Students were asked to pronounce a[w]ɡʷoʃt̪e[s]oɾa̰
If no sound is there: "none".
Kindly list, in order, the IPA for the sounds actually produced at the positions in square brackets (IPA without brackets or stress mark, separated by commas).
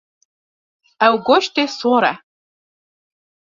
w, s